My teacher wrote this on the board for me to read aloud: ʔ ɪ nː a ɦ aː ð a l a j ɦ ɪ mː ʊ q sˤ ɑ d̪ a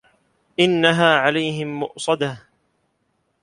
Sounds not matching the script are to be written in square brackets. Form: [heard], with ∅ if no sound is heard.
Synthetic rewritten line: ʔ ɪ nː a ɦ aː [ʕ] a l a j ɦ ɪ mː ʊ [ʔ] sˤ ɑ d̪ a